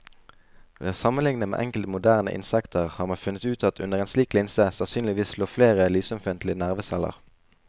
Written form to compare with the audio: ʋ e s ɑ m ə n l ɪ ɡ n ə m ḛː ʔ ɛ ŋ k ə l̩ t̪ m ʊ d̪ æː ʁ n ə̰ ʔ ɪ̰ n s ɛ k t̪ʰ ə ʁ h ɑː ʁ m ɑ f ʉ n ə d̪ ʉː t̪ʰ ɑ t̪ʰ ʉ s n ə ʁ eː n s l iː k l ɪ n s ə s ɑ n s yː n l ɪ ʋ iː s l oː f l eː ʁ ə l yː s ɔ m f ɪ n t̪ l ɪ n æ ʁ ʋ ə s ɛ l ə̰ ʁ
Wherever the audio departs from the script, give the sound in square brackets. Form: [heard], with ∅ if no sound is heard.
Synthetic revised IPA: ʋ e s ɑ m ə n l ɪ [ŋ] n ə m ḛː ʔ ɛ ŋ k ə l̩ t̪ m ʊ d̪ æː ʁ n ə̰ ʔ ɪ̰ n s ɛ k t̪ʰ ə ʁ h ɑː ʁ m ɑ f ʉ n ə [t̪] ʉː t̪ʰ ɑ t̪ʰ ʉ [∅] n ə ʁ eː n s l iː k l ɪ n s ə s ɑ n s yː n l ɪ ʋ iː s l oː f l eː ʁ ə l yː s ɔ m f ɪ n t̪ l ɪ n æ ʁ ʋ ə s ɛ l ə̰ ʁ

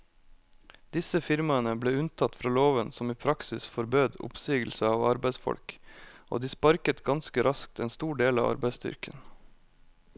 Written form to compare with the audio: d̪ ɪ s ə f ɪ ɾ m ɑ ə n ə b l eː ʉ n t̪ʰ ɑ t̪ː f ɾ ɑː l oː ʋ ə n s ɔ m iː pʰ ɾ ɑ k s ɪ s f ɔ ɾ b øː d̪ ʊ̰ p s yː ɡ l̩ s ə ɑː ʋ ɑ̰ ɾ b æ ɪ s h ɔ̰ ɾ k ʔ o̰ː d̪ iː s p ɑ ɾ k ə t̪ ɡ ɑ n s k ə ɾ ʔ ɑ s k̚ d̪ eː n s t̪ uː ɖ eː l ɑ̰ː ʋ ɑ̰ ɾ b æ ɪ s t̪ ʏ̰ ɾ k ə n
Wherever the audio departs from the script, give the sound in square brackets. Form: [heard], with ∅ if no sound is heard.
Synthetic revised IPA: d̪ ɪ s ə f ɪ ɾ m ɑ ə n ə b l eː ʉ n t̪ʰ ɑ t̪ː f ɾ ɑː l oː ʋ ə n s ɔ m iː pʰ ɾ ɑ k s ɪ s f ɔ ɾ b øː d̪ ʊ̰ p s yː ɡ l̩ s ə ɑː ʋ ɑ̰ ɾ b æ ɪ s [f] ɔ̰ [l] k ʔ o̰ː d̪ iː s p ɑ ɾ k ə t̪ ɡ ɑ n s k ə ɾ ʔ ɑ s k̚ [t̪] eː n s t̪ uː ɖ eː l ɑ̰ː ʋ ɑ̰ ɾ b æ ɪ s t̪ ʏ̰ ɾ k ə n

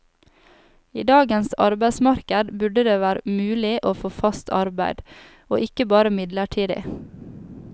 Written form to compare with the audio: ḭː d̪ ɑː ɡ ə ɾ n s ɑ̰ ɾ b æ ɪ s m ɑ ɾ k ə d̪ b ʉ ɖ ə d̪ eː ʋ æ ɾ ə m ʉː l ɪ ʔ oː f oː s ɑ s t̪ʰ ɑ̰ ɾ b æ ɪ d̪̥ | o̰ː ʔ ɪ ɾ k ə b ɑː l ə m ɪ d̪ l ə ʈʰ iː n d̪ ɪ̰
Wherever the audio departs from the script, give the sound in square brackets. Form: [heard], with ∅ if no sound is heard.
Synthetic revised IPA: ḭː d̪ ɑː ɡ ə [∅] n s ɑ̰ ɾ b æ ɪ s m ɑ ɾ k ə d̪ b ʉ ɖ ə d̪ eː ʋ [æː] ɾ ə m ʉː l ɪ ʔ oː f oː [f] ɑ s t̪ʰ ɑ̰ ɾ b æ ɪ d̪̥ | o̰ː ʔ ɪ [∅] k ə b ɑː [ɾ] ə m ɪ d̪ l ə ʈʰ iː [∅] d̪ ɪ̰

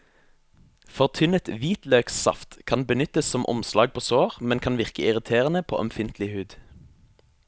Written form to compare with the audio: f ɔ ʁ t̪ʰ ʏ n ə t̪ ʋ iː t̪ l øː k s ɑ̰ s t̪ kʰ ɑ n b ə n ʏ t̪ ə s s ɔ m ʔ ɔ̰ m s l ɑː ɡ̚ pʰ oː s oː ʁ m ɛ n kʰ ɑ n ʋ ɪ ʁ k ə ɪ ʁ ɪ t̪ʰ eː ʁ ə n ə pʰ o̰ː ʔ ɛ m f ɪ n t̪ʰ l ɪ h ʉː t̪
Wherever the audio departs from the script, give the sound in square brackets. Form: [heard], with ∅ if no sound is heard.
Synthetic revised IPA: f ɔ ʁ t̪ʰ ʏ n ə t̪ ʋ iː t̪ l øː k s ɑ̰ [f] t̪ kʰ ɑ n b ə n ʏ t̪ ə s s ɔ m ʔ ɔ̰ m s l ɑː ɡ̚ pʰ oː s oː ʁ m ɛ n kʰ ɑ n ʋ ɪ ʁ k ə ɪ ʁ ɪ t̪ʰ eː ʁ ə n ə pʰ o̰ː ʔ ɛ m f ɪ n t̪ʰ l ɪ h ʉː [d̪]

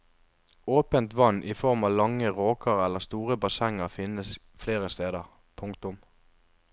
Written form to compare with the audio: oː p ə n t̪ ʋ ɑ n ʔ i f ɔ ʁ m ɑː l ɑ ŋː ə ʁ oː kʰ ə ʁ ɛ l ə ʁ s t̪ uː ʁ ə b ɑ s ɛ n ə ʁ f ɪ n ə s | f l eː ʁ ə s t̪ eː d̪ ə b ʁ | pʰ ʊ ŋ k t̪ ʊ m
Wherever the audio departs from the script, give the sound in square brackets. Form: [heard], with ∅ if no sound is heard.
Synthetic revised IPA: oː p ə n t̪ ʋ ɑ n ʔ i f ɔ ʁ m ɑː l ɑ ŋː ə ʁ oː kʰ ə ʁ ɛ l ə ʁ s t̪ uː ʁ ə b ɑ s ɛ [ŋ] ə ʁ f ɪ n ə s | f l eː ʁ ə s t̪ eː d̪ ə [∅] ʁ | pʰ ʊ ŋ k t̪ ʊ m

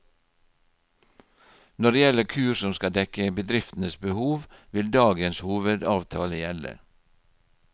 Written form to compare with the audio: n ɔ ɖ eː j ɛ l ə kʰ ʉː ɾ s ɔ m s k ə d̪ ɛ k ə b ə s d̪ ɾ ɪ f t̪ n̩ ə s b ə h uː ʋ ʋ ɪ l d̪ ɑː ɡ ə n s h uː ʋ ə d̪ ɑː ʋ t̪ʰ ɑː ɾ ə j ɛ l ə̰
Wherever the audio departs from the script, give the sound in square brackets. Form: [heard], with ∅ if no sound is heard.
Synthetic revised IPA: n ɔ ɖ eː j ɛ l ə kʰ ʉː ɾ s ɔ m s k [ɑ] d̪ ɛ k ə b ə [∅] d̪ ɾ ɪ f t̪ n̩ ə s b ə h uː ʋ ʋ ɪ l d̪ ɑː ɡ ə n s h uː ʋ ə d̪ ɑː ʋ t̪ʰ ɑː [l] ə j ɛ l ə̰

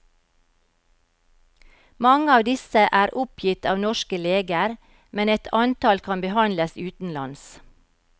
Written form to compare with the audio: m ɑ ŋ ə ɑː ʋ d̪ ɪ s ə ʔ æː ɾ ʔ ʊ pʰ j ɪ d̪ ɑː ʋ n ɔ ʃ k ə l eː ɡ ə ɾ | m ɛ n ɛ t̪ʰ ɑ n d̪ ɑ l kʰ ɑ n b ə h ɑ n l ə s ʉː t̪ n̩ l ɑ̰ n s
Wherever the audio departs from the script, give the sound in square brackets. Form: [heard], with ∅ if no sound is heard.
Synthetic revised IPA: m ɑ ŋ ə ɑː ʋ d̪ ɪ s ə ʔ æː ɾ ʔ ʊ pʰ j ɪ [t̪] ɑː ʋ n ɔ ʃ k ə l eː ɡ ə ɾ | m ɛ n ɛ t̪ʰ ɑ n [t̪] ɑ l kʰ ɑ n b ə h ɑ n l ə s ʉː t̪ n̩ l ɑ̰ n s

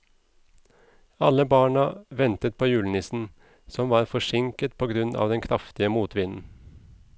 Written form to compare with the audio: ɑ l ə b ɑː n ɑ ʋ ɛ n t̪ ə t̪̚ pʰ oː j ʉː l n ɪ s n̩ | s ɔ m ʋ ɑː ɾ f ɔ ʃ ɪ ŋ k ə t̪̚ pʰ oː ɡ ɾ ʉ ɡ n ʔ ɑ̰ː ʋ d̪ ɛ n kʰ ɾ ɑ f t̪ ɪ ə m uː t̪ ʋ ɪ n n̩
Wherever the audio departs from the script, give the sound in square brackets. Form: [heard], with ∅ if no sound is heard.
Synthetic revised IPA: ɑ l ə b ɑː [ɳ] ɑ ʋ ɛ n t̪ ə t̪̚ pʰ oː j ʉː l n ɪ s n̩ | s ɔ m ʋ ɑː ɾ f ɔ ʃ ɪ ŋ k ə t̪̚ pʰ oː ɡ ɾ ʉ [∅] n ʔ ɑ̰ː ʋ d̪ ɛ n kʰ ɾ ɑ f t̪ ɪ ə m uː t̪ ʋ ɪ n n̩

